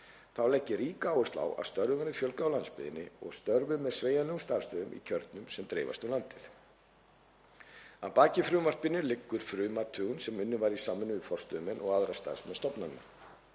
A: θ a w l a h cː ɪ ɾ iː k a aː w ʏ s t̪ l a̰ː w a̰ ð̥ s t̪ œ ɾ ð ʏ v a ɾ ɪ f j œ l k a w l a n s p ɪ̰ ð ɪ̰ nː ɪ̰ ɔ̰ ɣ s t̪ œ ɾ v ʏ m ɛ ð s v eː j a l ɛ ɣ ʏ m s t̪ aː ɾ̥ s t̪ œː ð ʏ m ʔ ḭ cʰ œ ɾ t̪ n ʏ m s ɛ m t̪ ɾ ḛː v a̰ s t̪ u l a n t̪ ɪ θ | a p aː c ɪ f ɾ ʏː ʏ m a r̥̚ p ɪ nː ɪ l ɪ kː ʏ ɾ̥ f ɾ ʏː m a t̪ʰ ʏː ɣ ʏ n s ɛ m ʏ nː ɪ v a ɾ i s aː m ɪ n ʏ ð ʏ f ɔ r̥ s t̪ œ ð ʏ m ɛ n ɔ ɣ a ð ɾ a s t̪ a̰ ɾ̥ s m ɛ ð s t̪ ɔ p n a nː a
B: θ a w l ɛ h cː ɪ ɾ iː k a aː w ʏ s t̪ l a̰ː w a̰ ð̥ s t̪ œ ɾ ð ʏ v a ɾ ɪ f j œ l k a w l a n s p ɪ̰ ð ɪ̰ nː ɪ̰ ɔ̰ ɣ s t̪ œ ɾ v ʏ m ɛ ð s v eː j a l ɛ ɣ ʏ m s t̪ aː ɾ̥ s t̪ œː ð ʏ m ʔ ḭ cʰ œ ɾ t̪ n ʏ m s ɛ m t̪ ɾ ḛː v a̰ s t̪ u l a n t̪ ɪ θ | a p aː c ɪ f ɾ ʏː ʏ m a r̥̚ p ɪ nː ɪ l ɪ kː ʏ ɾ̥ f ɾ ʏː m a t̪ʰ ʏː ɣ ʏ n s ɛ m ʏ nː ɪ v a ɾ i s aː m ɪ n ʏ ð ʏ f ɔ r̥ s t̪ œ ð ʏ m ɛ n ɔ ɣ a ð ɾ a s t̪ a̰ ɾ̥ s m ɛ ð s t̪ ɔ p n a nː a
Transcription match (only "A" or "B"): B